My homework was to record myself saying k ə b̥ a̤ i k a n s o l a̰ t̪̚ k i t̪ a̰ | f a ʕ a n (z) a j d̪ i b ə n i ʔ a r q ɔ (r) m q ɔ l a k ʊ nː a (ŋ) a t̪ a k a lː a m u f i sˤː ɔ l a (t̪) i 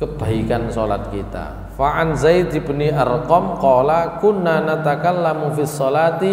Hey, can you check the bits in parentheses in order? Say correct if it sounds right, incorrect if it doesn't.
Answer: correct, incorrect, incorrect, correct

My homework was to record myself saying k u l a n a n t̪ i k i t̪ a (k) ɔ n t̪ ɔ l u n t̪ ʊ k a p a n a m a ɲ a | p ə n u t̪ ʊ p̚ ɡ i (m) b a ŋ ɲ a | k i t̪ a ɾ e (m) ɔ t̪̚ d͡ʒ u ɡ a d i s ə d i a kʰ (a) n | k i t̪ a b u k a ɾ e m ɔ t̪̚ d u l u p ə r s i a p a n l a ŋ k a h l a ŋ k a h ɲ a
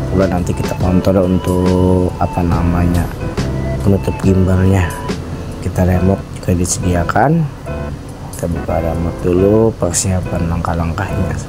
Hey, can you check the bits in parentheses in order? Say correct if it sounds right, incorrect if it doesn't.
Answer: correct, correct, correct, correct

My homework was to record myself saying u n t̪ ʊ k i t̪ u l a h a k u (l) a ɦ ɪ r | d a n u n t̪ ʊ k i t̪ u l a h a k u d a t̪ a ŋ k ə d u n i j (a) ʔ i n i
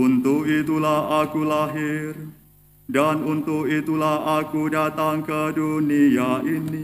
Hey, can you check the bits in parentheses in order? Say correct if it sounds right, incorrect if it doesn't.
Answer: correct, correct

